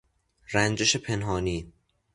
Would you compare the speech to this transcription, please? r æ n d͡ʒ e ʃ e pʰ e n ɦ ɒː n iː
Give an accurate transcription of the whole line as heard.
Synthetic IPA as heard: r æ n d͡ʒ e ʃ e pʰ e n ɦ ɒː n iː